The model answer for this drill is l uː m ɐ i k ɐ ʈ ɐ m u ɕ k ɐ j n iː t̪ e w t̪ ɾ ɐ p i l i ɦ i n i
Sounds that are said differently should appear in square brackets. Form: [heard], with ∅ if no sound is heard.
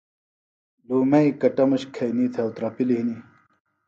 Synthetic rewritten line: l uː m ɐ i k ɐ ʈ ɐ m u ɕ [kʰ] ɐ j n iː [t̪ʰ] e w t̪ ɾ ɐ p i l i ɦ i n i